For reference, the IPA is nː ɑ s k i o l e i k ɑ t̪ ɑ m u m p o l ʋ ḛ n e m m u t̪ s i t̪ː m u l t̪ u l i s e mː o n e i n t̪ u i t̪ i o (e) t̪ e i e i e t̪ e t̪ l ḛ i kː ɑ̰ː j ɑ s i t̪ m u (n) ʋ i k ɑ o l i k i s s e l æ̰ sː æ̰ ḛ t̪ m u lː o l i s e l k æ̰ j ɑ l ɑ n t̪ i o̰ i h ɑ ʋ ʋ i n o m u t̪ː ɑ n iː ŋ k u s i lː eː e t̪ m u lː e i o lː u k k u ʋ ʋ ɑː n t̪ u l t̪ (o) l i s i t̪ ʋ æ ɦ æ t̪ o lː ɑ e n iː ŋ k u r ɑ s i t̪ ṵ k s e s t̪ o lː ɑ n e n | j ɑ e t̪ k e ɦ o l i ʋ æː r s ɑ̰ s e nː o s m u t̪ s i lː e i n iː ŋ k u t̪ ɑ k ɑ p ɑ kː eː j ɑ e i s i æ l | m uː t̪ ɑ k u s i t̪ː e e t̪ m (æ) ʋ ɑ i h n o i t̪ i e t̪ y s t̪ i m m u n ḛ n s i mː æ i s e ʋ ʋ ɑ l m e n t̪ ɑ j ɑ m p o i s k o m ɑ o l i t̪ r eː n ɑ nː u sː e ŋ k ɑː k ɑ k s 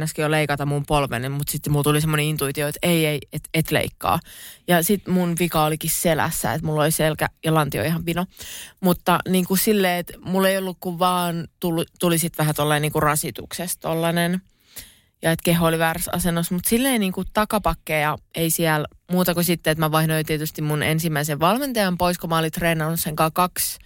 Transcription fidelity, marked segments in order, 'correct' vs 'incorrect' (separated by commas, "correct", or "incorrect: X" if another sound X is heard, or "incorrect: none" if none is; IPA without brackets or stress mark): correct, correct, incorrect: u, correct